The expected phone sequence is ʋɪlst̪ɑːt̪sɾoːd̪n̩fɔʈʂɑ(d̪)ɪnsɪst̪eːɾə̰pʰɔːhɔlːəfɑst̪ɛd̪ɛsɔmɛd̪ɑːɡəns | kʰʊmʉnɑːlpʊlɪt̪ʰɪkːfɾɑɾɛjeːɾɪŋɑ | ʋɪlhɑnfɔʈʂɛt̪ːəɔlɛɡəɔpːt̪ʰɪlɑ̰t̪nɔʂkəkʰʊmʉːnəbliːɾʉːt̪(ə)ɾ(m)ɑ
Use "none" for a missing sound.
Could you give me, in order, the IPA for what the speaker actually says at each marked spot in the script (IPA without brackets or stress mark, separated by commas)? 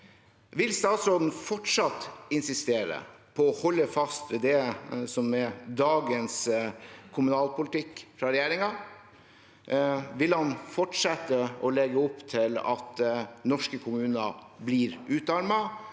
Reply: t̪, ɑ, m